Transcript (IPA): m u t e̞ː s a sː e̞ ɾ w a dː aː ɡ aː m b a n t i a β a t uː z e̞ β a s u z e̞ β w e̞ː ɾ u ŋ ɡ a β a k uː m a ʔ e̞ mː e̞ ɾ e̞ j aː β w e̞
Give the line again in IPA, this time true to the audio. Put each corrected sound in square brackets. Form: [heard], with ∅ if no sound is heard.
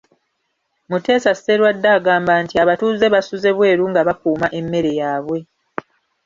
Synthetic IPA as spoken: m u t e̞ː s a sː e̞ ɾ w a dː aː ɡ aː m b a n t i a β a t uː z e̞ β a s u z e̞ β w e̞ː ɾ u ŋ ɡ a β a k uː m a ʔ e̞ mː e̞ ɾ e̞ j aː β w e̞